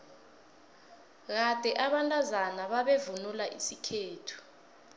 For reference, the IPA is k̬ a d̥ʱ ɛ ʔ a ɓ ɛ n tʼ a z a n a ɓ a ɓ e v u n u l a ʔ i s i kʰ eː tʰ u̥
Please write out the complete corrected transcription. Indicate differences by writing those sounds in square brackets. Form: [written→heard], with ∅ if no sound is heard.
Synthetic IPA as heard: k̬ a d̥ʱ ɛ ʔ a ɓ [ɛ→a] n tʼ a z a n a ɓ a ɓ e v u n u l a ʔ i s i kʰ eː tʰ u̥

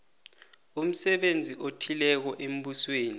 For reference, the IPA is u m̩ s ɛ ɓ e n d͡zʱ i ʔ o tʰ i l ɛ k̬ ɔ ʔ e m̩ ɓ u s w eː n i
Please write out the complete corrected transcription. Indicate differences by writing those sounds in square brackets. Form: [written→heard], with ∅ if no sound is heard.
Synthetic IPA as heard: u m̩ s ɛ ɓ e n d͡zʱ i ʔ o tʰ i l ɛ k̬ ɔ ʔ e m̩ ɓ u s w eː n i

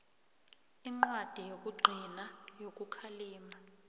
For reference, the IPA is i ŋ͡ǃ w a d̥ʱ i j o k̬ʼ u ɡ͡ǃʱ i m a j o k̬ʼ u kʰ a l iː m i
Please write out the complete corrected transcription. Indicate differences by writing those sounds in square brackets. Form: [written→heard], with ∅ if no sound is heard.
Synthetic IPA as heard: i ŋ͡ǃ w a d̥ʱ i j o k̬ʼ u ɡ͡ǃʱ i [m→n] a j o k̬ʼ u kʰ a l iː m [i→a]

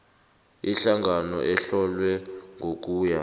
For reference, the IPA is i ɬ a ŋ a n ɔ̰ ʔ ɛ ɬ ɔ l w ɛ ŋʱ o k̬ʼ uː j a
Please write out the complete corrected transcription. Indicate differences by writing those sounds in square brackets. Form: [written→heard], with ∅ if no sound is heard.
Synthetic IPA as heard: i ɬ a ŋ a n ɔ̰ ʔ ɛ ɬ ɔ l w ɛ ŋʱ o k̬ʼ uː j a

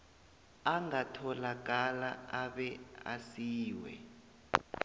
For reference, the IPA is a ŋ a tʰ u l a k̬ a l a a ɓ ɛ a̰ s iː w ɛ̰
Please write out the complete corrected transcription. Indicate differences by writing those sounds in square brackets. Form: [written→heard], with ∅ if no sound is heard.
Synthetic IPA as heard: a ŋ a tʰ [u→ɔ] l a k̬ a l a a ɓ ɛ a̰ s iː w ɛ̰

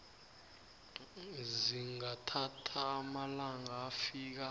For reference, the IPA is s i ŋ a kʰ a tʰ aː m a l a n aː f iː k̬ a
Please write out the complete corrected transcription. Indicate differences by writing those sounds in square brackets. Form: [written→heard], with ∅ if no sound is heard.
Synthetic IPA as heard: [s→z] i ŋ a [kʰ→tʰ] a tʰ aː m a l a [n→ŋ] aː f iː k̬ a

